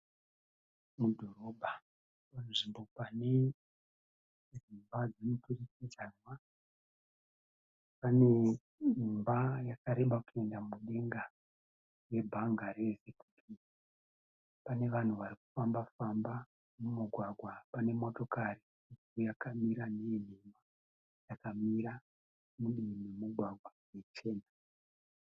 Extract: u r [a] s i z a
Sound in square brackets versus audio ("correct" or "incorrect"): incorrect